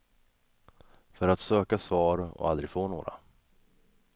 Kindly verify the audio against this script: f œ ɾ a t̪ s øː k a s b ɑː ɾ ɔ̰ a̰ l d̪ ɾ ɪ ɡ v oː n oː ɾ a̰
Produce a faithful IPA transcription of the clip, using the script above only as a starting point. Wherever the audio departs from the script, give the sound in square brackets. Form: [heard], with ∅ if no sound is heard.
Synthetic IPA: f œ ɾ a t̪ s øː k a s [v] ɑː ɾ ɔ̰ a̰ l d̪ ɾ ɪ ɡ [f] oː n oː ɾ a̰